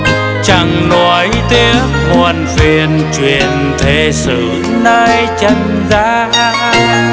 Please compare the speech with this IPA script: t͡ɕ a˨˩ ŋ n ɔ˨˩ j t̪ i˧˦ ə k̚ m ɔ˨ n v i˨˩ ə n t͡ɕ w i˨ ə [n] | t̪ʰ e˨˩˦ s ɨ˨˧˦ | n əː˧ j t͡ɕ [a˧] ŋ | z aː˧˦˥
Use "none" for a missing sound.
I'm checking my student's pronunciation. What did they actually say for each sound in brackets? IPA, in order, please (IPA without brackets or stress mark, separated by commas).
n, ə˧